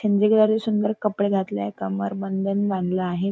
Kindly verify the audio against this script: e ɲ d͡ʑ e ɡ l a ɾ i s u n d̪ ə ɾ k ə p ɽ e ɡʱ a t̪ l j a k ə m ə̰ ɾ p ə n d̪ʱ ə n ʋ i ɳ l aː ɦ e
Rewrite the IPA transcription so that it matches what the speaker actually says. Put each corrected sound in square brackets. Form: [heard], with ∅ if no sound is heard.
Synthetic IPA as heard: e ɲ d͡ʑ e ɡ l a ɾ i s u n d̪ ə ɾ k ə p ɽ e ɡʱ a t̪ l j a k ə m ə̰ ɾ [b] ə n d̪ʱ ə n ʋ [a] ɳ l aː ɦ e